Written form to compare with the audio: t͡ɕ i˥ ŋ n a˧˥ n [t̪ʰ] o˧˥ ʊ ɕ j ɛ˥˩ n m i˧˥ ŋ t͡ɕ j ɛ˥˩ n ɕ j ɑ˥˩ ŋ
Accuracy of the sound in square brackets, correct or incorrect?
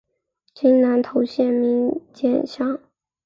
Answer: correct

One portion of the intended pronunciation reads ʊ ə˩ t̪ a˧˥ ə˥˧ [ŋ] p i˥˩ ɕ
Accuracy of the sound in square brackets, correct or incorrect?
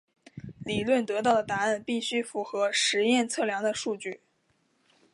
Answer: incorrect: n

